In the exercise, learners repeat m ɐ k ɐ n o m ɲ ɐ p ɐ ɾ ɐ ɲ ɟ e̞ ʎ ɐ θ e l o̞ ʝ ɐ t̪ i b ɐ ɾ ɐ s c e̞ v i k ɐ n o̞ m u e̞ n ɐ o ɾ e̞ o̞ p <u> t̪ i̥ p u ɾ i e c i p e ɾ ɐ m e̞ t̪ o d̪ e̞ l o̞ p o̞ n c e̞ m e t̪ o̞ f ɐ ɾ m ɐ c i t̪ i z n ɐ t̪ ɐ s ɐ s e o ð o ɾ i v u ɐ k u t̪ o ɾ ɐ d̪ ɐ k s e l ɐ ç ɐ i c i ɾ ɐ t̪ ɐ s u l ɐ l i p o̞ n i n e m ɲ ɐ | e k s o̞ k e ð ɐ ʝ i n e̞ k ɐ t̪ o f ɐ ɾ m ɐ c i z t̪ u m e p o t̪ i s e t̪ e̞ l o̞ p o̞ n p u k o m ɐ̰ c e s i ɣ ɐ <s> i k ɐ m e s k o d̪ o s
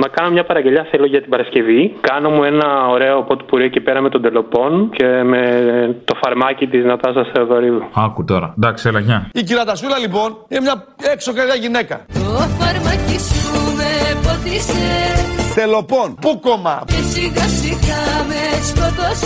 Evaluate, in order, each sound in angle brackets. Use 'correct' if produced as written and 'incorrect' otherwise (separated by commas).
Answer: incorrect, correct